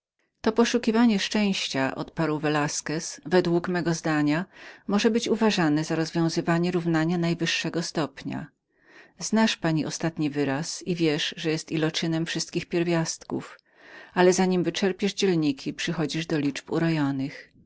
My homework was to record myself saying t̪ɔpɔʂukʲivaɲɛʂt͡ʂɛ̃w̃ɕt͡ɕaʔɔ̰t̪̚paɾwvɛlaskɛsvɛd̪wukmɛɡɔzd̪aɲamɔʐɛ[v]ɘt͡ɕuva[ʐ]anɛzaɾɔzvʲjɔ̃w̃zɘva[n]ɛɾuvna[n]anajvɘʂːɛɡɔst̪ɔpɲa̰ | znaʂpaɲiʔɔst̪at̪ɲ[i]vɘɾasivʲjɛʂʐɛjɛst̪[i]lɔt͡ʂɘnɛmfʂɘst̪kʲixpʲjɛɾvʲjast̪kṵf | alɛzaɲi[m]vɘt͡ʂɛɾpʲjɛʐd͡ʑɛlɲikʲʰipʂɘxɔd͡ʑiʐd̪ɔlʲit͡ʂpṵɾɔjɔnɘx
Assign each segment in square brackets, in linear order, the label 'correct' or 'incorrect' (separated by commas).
incorrect, correct, incorrect, incorrect, correct, correct, correct